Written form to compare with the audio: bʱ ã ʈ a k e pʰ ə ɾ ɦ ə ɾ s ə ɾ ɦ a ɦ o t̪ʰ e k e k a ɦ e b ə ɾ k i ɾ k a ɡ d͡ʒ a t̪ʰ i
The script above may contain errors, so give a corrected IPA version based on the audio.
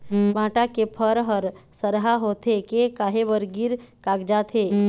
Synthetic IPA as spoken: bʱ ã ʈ a k e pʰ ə ɾ ɦ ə ɾ s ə ɾ ɦ a ɦ o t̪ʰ e k e k a ɦ e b ə ɾ ɡ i ɾ k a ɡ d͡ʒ a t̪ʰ e